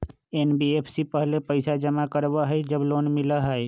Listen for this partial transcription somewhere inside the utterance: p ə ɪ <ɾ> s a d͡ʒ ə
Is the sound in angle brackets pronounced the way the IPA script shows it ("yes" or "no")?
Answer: no